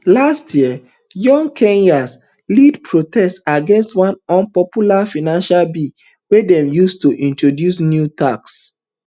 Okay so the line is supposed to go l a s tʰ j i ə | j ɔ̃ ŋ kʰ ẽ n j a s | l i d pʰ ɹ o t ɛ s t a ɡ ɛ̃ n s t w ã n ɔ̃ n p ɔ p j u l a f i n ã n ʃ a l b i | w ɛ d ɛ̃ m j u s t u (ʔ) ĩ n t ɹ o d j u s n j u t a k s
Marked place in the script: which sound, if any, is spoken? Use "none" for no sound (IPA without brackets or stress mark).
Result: ʔ